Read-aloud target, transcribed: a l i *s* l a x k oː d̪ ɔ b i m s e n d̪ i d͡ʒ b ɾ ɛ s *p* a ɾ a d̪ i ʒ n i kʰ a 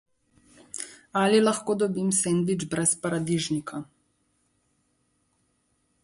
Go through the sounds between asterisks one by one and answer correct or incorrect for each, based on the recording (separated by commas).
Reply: incorrect, correct